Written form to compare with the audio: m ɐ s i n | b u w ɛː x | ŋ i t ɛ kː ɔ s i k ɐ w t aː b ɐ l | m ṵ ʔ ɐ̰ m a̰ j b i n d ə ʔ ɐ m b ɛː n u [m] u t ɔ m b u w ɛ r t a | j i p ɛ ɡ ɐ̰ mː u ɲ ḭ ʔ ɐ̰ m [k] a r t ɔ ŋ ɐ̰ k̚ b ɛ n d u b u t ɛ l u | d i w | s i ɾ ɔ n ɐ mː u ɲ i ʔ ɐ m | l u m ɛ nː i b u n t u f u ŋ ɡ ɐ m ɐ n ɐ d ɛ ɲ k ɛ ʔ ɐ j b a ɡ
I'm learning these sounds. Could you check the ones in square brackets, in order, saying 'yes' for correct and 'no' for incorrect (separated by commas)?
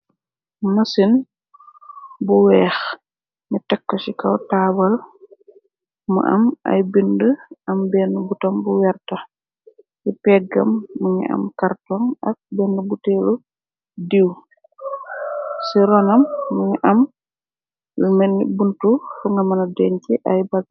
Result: no, yes